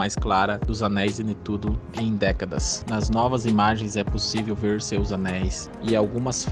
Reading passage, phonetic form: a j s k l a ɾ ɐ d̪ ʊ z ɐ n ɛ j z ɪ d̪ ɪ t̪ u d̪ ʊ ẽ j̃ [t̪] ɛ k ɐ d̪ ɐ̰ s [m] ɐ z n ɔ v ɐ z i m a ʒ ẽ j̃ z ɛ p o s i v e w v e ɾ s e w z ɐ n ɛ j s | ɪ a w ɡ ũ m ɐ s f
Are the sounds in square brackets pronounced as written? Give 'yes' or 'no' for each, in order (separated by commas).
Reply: no, no